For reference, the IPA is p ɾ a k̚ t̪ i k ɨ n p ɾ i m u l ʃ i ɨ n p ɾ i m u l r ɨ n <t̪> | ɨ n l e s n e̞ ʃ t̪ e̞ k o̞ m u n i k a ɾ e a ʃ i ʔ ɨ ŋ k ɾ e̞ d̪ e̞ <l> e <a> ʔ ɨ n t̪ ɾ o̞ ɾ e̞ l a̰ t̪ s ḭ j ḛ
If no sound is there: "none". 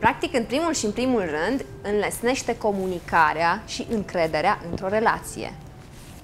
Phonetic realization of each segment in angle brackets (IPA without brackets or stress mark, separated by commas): d̪, ɾ, a